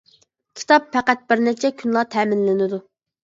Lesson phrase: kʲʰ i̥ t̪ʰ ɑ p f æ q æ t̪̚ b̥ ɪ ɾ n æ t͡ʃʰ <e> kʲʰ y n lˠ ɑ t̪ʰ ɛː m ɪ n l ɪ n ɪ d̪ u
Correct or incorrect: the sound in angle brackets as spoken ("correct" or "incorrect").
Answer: incorrect